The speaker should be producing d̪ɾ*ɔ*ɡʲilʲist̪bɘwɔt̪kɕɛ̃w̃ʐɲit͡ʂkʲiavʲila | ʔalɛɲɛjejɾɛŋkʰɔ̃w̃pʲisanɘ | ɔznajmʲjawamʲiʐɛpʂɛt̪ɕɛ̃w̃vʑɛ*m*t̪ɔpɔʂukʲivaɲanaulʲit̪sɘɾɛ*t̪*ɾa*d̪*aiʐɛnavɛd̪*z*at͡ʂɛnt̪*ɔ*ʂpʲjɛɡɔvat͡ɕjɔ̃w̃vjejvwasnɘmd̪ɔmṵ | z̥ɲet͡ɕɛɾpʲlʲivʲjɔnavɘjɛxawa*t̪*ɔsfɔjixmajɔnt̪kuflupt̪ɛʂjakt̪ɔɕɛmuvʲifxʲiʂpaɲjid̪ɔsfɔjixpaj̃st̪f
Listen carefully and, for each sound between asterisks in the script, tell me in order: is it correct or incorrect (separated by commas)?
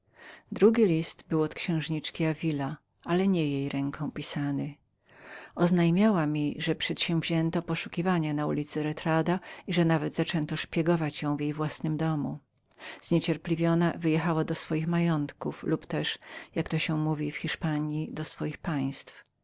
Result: incorrect, incorrect, correct, correct, correct, correct, incorrect